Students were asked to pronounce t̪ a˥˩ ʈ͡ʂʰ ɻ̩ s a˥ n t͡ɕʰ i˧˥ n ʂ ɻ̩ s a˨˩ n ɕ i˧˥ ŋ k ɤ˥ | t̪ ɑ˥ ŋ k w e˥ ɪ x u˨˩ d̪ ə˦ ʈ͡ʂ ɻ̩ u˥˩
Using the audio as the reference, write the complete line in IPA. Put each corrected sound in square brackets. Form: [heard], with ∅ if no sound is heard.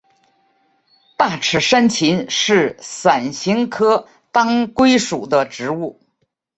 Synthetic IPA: t̪ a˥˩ ʈ͡ʂʰ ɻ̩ [ʂ] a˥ n t͡ɕʰ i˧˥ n ʂ ɻ̩ s a˨˩ n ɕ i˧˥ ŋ [kʰ] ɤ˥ | t̪ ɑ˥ ŋ k w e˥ ɪ [ʂ] u˨˩ d̪ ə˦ ʈ͡ʂ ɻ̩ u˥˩